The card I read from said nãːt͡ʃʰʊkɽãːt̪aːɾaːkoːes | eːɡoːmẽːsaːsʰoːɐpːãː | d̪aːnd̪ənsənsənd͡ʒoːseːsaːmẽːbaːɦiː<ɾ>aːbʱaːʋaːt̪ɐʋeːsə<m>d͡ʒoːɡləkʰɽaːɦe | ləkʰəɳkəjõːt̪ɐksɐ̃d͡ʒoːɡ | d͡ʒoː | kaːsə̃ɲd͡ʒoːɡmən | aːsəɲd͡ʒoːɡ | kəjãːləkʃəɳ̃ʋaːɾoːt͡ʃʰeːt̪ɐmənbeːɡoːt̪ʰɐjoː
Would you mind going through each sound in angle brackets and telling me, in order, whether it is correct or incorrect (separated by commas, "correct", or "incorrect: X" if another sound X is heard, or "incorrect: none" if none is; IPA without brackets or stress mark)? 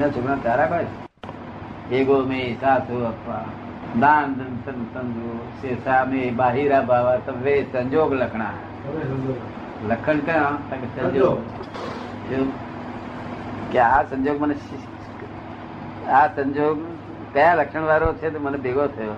correct, incorrect: ɲ